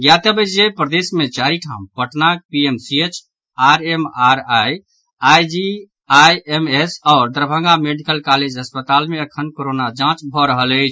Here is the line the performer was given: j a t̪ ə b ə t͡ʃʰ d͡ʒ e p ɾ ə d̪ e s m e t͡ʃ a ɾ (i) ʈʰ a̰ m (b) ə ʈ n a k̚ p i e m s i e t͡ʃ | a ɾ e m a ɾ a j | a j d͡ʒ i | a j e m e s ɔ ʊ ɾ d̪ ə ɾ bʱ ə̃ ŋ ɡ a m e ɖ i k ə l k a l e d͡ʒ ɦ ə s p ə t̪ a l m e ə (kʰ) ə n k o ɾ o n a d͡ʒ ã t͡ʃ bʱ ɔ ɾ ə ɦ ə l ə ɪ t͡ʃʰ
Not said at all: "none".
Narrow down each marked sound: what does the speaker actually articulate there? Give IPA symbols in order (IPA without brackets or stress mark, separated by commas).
i, p, kʰ